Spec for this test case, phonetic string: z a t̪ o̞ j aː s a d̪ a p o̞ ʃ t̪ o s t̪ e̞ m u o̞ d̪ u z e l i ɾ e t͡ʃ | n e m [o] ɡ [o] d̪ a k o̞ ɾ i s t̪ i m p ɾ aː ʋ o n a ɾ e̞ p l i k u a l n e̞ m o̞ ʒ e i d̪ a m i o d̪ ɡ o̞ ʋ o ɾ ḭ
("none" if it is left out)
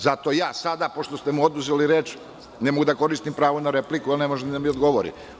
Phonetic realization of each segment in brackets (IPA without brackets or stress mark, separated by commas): o, u